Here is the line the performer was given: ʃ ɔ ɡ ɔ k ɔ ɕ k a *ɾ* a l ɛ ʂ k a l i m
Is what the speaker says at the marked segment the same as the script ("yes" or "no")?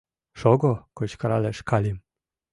yes